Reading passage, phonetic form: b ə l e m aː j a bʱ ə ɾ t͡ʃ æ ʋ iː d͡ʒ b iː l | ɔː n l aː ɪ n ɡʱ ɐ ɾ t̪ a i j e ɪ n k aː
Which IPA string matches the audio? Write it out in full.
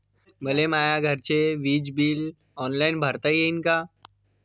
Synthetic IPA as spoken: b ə l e m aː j a ɡʱ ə ɾ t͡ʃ e ʋ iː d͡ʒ b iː l | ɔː n l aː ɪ n bʱ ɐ ɾ t̪ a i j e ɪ n k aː